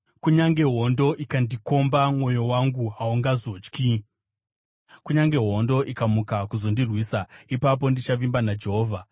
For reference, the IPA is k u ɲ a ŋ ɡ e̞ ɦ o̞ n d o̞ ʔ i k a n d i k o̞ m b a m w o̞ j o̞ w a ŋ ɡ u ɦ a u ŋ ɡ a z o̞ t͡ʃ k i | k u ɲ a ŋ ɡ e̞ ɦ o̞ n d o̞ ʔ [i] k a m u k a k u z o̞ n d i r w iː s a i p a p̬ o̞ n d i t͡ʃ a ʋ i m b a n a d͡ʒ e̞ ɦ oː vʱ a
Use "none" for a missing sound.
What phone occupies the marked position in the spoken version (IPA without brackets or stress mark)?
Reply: i